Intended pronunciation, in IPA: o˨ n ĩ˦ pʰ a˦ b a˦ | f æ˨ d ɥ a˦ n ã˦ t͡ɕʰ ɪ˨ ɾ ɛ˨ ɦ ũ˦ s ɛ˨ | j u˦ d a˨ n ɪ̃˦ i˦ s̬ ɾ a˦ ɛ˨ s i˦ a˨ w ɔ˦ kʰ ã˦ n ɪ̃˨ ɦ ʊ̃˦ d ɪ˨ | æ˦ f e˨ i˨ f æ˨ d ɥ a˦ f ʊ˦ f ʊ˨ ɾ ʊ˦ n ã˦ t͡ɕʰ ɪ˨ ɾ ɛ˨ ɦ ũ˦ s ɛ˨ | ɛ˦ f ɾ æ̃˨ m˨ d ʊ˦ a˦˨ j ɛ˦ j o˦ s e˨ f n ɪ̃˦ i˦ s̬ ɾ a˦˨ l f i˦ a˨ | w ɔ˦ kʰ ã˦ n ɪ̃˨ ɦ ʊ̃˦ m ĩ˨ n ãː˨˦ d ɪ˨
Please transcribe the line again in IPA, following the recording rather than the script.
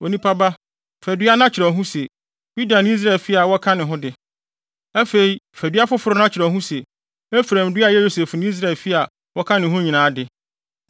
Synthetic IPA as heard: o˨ n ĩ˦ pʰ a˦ b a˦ | f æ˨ d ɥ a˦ n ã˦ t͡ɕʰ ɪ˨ ɾ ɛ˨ ɦ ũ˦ s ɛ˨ | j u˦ d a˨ n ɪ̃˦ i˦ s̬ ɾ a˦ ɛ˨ f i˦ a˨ w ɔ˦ kʰ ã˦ n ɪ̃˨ ɦ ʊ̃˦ d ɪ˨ | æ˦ f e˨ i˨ f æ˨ d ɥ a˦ f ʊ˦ f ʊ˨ ɾ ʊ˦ n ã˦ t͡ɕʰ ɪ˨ ɾ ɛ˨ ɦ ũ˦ s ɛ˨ | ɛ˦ f ɾ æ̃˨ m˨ d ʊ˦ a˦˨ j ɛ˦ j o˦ s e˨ f n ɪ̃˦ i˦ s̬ ɾ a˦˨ l f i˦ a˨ | w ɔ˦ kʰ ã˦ n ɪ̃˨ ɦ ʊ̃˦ ɲ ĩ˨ n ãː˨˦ d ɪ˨

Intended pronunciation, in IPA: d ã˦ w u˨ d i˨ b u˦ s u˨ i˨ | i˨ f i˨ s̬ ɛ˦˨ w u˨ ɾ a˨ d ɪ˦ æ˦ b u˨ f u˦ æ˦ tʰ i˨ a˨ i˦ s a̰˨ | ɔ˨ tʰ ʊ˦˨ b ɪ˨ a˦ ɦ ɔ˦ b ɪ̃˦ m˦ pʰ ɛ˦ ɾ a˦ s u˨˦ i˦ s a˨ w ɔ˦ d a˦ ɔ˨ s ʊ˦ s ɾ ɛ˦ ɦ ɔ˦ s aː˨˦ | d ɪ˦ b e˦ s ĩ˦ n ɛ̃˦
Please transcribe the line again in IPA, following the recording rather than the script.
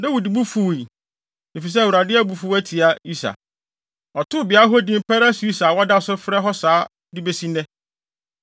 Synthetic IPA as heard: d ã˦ w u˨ d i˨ b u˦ f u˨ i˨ | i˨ f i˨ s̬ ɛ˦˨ w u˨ ɾ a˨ d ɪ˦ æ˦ b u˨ f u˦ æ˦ tʰ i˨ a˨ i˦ s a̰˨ | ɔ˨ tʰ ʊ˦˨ b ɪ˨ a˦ ɦ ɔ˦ d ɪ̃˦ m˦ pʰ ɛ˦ ɾ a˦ s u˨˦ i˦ s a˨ w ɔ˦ d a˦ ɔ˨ s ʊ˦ f ɾ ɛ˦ ɦ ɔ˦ s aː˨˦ | d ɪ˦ b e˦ s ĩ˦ n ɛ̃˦

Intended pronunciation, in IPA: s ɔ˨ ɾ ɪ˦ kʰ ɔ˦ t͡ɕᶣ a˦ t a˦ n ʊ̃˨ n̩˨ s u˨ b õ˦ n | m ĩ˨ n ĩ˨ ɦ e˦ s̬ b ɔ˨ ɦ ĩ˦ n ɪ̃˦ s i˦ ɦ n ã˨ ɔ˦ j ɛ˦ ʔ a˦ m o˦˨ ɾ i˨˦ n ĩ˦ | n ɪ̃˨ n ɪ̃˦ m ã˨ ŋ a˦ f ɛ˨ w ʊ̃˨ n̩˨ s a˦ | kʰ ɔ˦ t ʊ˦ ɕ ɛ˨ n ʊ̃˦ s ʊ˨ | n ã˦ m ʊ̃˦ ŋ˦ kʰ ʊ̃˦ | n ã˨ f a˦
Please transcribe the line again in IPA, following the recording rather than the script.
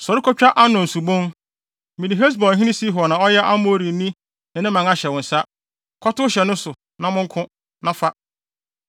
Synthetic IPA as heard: s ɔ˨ ɾ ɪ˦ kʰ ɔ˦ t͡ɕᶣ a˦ ʔ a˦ n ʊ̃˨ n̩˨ s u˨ b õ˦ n | m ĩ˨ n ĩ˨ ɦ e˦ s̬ b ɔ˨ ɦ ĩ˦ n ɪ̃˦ s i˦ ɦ n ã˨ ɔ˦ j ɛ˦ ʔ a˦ m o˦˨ ɾ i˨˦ n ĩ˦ | n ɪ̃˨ n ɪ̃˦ m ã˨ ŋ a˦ ɕ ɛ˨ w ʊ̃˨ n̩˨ s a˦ | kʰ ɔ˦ t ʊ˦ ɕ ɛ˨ n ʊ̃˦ s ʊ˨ | n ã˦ m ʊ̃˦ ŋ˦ kʰ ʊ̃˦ | n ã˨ f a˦

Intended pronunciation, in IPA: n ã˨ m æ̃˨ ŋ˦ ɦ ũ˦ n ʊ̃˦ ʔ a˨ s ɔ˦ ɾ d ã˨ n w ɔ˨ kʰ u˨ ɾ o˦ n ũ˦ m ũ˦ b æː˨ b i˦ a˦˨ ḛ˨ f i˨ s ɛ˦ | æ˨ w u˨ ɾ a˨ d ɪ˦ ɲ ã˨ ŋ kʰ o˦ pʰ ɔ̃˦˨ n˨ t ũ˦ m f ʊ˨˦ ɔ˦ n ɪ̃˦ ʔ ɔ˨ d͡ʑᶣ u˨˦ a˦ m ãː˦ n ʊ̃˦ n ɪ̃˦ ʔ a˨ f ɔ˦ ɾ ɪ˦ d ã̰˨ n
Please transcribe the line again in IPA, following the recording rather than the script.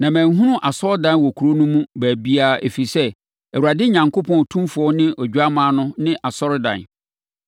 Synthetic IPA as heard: n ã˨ m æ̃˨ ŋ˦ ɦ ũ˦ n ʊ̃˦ ʔ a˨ s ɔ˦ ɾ d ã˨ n w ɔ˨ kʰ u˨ ɾ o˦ n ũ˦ m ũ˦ b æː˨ b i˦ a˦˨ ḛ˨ f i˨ s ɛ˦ | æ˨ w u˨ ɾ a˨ d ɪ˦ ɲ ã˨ ŋ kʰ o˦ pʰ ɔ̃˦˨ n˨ tʰ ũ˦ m f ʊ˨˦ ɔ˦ n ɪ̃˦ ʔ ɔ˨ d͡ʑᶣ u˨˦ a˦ m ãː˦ n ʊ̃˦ n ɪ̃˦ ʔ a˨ s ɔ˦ ɾ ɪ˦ d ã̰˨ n

